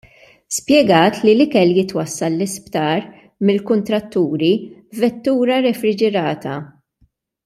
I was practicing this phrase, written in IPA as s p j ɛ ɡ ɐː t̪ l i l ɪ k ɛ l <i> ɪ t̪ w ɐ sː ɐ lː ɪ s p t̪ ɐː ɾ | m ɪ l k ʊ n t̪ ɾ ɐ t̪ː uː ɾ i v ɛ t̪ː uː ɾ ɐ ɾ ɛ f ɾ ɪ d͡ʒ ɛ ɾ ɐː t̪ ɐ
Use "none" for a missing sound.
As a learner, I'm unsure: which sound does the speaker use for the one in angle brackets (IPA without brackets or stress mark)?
j